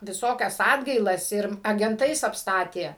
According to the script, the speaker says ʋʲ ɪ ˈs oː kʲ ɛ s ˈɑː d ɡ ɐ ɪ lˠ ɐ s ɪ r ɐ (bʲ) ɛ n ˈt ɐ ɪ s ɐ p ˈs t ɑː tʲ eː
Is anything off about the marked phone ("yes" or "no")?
yes